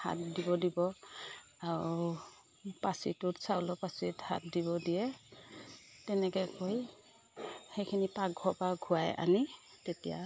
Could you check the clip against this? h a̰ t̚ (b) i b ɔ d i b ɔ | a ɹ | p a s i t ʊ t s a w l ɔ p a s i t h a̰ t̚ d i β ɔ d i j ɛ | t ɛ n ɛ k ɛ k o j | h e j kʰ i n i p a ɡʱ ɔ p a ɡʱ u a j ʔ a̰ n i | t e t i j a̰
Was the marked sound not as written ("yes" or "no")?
yes